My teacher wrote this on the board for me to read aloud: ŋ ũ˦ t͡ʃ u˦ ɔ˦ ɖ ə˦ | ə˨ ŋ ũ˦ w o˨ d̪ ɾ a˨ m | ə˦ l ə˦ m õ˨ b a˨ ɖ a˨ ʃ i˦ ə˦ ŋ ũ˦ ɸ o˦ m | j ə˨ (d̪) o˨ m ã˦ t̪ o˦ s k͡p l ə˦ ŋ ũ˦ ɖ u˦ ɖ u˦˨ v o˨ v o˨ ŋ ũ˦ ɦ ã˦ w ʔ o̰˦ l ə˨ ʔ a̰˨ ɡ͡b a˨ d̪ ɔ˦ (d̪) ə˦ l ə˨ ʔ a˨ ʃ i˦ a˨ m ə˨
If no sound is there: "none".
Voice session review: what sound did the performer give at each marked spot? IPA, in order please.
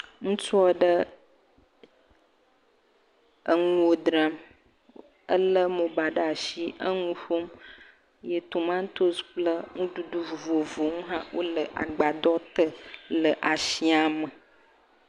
t̪, t̪

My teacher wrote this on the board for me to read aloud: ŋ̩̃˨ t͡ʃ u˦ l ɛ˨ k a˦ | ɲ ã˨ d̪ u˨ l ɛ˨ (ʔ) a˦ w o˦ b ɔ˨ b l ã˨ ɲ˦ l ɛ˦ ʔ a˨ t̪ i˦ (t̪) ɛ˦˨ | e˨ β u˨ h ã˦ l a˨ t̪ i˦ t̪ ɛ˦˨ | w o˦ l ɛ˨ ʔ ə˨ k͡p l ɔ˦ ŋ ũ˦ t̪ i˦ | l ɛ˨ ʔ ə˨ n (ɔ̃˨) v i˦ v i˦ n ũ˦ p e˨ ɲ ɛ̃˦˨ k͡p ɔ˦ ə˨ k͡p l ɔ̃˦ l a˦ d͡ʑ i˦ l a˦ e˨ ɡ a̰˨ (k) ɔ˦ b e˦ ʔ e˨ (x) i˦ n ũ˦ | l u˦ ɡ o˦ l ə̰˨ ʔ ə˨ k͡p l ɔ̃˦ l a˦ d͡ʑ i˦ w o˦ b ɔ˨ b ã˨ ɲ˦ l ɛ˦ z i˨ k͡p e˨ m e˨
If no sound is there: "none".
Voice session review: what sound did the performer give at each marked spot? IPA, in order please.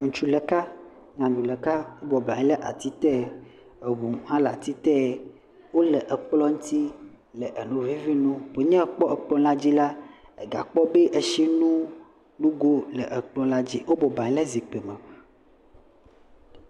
k, t̪, ũ˨, k͡p, ʃ

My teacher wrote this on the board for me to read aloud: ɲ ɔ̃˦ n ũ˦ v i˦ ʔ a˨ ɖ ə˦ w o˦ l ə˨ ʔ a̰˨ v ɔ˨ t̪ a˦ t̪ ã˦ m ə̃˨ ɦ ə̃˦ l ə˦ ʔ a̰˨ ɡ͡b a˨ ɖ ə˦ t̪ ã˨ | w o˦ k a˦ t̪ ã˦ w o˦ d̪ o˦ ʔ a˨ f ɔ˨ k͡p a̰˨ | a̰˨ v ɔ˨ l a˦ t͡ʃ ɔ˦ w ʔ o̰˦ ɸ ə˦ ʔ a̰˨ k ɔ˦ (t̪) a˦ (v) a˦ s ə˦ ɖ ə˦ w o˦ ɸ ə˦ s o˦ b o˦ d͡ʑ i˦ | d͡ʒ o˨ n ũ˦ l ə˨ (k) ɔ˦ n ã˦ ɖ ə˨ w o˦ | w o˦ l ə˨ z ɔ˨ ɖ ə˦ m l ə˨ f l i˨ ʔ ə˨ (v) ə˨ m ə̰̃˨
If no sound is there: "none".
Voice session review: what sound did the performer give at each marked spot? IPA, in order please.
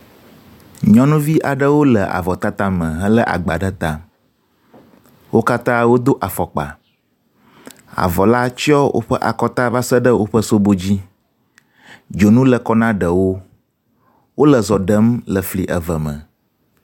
t̪, v, k, v

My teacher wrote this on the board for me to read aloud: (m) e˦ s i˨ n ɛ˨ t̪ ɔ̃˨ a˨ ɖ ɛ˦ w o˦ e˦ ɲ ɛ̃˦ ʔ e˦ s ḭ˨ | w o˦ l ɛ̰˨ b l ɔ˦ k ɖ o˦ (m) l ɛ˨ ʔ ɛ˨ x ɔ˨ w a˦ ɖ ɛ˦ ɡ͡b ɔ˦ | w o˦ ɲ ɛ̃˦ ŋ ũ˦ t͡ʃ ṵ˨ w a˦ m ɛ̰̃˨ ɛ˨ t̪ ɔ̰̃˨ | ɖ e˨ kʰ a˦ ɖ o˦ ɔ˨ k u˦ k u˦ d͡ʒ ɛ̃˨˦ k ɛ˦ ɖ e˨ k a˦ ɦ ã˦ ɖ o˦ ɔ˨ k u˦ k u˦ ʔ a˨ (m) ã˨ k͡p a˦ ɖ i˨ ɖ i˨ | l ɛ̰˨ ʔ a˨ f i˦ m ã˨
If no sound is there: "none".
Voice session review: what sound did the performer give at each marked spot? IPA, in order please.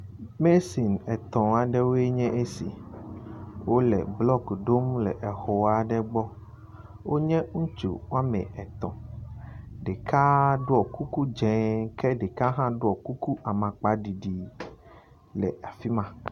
m, m, m

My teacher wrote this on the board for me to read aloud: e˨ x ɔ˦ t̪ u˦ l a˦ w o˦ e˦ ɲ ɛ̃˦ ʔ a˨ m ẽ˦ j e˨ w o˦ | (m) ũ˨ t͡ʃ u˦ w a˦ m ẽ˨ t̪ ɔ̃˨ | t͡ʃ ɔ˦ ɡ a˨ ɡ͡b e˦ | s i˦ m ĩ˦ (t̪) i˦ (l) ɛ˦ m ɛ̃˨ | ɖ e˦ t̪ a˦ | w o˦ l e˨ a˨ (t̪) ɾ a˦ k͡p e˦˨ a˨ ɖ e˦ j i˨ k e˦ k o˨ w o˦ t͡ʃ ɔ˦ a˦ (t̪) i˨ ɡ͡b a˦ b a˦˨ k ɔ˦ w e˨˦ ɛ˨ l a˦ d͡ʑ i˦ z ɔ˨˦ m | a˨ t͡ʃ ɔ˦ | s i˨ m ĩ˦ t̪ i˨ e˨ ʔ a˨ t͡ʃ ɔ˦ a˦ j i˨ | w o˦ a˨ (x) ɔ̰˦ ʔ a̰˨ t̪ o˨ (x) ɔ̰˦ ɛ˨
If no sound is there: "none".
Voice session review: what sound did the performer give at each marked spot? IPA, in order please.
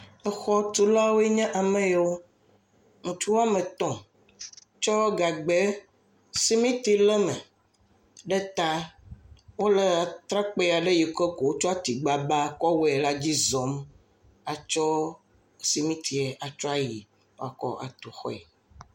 ŋ, t̪, l, t̪, t̪, k, x

